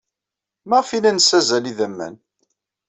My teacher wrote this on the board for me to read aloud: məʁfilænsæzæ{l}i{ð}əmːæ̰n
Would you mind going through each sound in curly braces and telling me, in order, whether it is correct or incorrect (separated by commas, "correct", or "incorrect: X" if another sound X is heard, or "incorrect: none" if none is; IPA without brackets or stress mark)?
correct, correct